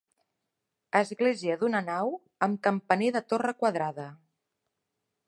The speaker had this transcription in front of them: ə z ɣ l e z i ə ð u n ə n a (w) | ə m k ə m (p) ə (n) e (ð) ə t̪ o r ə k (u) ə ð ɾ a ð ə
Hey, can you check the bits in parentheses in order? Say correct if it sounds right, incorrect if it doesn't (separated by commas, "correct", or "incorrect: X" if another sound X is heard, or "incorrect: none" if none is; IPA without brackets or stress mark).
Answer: correct, correct, correct, correct, incorrect: w